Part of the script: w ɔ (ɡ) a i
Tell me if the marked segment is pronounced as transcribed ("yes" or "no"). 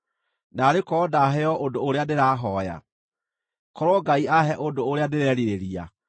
yes